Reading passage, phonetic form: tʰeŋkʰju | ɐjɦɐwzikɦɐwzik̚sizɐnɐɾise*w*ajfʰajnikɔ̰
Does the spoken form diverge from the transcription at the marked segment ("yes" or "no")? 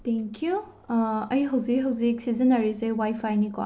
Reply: no